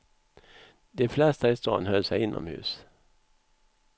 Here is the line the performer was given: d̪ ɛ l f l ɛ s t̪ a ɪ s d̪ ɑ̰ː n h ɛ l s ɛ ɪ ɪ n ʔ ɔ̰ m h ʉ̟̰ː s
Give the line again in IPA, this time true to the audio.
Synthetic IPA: d̪ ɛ f l ɛ s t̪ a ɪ s t̪ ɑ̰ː n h œ l s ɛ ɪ ɪ n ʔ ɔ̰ m h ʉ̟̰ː s